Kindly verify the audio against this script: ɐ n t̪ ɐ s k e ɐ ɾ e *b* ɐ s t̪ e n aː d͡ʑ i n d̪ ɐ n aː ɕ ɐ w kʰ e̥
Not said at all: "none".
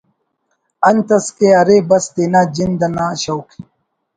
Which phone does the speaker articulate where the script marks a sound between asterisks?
b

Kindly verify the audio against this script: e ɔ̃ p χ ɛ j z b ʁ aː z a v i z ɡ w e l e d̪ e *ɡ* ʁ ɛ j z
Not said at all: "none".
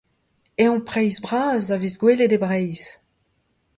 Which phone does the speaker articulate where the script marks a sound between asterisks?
b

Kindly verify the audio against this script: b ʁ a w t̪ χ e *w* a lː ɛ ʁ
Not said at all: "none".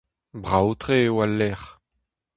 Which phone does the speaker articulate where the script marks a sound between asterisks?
w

